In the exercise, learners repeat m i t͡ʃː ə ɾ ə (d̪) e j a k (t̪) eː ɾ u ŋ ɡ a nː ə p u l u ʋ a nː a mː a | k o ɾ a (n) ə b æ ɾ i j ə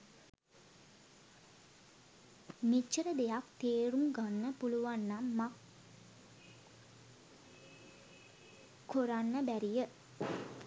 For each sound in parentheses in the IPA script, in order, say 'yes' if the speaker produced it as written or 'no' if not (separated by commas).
yes, yes, no